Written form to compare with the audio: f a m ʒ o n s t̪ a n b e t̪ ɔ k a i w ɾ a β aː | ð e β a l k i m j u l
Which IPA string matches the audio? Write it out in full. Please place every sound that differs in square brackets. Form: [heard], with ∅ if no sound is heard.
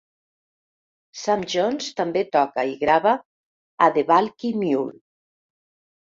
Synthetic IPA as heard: [s] a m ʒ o n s t̪ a [m] b e t̪ ɔ k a i [ɣ] ɾ a β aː | ð e β a l k i m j u l